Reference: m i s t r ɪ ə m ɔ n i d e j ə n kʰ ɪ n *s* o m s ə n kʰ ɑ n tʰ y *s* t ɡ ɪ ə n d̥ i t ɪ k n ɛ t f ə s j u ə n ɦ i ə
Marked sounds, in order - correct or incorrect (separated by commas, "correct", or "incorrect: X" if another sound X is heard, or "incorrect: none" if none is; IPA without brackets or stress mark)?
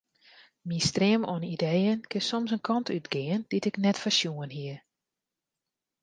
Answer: correct, incorrect: none